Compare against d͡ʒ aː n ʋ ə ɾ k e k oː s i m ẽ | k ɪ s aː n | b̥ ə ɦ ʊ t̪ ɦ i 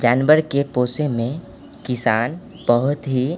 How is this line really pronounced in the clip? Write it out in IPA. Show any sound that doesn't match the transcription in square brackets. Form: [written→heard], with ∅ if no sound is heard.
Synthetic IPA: d͡ʒ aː n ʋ ə ɾ k e [k→p] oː s [i→e] m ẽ | k ɪ s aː n | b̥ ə ɦ ʊ t̪ ɦ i